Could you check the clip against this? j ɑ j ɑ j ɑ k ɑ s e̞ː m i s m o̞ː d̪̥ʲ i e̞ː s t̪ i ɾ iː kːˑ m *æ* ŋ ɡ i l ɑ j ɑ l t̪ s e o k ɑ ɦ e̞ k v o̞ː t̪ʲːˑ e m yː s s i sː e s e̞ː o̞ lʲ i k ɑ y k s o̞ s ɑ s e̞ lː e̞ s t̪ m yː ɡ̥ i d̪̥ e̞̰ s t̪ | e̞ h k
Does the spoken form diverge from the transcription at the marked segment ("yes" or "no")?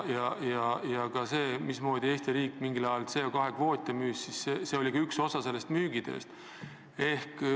yes